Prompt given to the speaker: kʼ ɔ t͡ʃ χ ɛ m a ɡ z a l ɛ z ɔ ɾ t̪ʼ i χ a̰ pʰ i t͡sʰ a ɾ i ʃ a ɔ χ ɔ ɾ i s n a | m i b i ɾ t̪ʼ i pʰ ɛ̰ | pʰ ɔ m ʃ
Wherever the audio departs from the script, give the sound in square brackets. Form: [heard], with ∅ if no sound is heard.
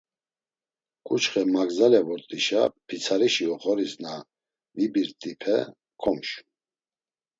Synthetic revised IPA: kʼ [u] t͡ʃ χ ɛ m a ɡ z a l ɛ [v] ɔ ɾ t̪ʼ i [ʃ] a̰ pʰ i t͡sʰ a ɾ i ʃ [i] ɔ χ ɔ ɾ i s n a | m i b i ɾ t̪ʼ i pʰ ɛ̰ | [kʰ] ɔ m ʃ